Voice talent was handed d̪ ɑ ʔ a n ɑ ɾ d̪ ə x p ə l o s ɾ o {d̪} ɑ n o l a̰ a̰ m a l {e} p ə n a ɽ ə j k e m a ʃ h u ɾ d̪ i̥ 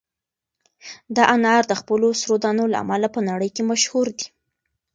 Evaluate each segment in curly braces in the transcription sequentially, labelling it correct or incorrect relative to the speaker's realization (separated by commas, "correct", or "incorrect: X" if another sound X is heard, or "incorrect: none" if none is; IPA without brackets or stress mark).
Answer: correct, incorrect: a